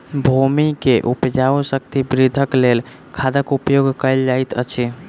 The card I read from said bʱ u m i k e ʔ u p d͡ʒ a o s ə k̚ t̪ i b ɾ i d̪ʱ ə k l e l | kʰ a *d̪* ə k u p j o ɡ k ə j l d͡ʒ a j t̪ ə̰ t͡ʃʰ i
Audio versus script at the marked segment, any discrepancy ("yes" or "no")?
no